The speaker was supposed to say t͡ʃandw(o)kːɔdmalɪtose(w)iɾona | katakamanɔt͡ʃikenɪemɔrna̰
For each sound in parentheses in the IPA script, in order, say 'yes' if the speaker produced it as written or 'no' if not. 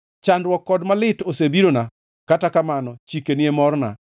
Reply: no, no

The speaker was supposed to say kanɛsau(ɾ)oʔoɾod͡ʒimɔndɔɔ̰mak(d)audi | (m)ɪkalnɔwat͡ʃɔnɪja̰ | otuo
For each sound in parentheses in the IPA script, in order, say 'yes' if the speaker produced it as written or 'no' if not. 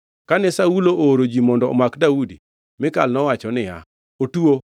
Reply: no, yes, yes

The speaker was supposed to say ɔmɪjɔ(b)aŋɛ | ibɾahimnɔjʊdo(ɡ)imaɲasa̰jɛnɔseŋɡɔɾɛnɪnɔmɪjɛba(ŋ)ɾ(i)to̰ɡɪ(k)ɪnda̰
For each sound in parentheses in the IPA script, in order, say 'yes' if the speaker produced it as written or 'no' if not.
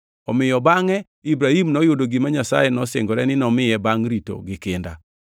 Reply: yes, yes, yes, yes, yes

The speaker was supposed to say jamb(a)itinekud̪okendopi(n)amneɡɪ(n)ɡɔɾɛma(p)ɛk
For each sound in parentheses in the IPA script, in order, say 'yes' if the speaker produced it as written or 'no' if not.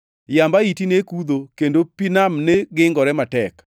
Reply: yes, yes, no, no

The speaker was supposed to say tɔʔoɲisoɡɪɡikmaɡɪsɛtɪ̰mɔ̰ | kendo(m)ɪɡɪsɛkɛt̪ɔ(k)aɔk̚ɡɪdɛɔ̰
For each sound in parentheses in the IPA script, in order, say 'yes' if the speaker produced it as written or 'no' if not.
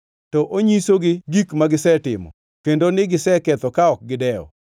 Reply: no, yes

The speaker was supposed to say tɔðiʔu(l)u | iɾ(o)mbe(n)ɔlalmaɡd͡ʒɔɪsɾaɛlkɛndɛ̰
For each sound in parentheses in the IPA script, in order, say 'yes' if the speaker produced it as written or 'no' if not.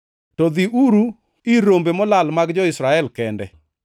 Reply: no, yes, no

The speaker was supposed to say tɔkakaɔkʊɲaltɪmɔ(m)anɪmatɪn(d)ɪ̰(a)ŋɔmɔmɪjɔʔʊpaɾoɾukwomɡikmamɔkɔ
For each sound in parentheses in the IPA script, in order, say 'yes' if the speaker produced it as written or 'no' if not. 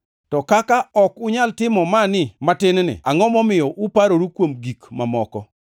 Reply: yes, no, yes

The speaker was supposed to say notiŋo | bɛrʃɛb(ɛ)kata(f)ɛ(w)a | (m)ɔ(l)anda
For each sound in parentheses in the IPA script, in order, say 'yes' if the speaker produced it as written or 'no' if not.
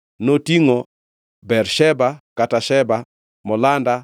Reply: no, no, no, yes, yes

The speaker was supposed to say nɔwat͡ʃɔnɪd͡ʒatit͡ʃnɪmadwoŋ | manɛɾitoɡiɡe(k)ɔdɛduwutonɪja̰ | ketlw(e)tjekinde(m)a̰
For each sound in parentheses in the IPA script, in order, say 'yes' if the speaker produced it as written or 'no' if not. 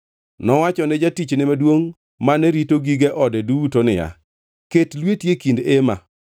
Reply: no, yes, yes

